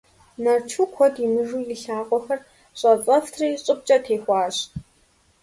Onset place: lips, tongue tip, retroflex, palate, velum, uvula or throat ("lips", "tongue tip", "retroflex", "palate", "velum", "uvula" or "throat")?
tongue tip